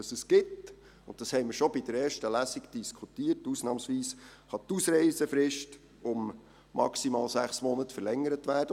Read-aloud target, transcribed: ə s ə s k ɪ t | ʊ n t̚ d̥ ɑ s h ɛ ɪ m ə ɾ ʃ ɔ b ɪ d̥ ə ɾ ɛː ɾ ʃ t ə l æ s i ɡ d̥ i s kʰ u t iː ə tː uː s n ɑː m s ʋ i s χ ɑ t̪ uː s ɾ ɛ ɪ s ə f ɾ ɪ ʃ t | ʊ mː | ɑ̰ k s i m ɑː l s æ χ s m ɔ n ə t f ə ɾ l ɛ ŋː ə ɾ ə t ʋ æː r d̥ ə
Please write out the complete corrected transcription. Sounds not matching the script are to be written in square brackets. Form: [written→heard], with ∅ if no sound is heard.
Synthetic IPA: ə s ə s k ɪ t | ʊ n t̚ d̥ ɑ s h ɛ ɪ m ə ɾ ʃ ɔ b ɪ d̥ ə ɾ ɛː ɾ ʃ t ə l æ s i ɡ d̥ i s kʰ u t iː ə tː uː s n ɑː m s ʋ [i→iː] s χ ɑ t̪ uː s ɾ ɛ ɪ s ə f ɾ ɪ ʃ t | ʊ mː | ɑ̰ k s i m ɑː l s æ χ s m ɔ n ə t f ə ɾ l ɛ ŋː ə ɾ ə t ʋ æː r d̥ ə